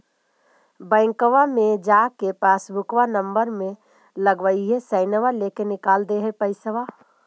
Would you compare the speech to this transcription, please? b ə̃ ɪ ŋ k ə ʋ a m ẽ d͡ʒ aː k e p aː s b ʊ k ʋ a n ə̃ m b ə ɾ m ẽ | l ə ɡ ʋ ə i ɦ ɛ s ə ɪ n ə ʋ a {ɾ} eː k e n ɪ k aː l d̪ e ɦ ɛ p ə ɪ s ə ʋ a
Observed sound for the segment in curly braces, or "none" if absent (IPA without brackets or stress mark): l